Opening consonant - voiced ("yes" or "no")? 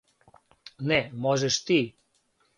yes